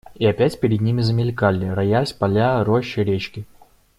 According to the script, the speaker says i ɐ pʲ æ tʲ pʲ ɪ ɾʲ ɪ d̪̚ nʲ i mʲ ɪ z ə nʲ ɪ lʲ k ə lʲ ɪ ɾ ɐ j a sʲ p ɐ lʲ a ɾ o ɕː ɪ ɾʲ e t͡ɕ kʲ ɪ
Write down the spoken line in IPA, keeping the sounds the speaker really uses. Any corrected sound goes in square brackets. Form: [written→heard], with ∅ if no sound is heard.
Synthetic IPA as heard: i ɐ pʲ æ tʲ pʲ ɪ ɾʲ ɪ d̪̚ nʲ i mʲ ɪ z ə [nʲ→mʲ] ɪ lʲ k [ə→a] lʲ ɪ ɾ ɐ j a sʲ p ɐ lʲ a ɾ o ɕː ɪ ɾʲ e t͡ɕ kʲ ɪ